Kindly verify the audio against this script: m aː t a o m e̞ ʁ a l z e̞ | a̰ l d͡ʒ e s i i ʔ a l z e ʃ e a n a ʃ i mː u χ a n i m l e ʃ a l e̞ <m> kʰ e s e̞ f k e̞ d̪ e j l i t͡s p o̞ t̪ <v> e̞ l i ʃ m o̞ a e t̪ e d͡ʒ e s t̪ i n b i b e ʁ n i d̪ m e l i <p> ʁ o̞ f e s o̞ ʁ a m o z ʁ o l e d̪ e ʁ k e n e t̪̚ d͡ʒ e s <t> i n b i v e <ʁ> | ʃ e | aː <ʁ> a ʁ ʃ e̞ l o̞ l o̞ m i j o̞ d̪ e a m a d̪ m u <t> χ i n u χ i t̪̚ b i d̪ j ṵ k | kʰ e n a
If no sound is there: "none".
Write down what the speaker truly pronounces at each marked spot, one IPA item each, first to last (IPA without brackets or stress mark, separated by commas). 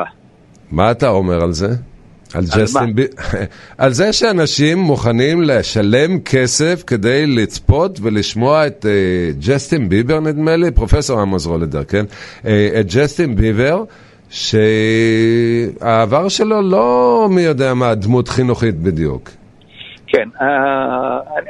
m, v, p, t, ʁ, v, t